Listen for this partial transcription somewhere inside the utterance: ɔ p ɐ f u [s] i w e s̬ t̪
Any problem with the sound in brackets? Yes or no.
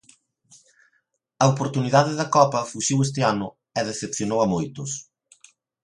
yes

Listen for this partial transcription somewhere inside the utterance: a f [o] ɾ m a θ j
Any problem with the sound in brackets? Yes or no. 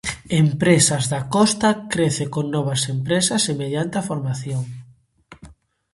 no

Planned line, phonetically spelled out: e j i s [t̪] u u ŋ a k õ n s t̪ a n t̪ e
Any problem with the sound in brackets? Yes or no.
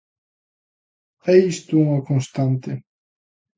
no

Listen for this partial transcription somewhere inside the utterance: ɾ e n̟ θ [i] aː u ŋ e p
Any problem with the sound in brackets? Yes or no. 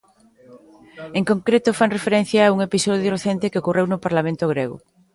yes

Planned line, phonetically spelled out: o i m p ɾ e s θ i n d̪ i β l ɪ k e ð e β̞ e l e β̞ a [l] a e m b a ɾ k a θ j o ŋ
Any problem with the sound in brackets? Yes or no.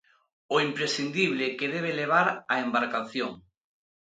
yes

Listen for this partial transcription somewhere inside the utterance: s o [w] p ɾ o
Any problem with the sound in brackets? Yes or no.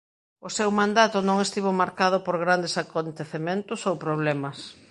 no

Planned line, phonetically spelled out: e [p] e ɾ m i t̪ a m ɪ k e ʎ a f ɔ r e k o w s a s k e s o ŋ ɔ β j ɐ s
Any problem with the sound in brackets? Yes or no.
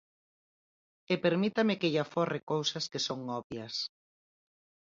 no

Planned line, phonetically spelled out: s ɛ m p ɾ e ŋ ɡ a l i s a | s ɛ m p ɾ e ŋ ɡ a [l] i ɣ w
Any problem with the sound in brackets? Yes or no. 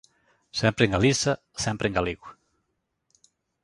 no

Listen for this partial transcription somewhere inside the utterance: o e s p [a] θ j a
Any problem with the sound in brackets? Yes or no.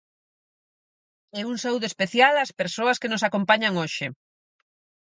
yes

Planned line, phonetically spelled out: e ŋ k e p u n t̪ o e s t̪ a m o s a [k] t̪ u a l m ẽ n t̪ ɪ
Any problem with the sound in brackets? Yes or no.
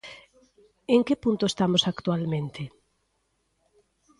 no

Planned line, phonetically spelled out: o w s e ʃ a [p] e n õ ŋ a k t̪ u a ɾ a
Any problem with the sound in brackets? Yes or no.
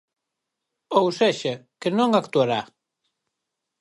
yes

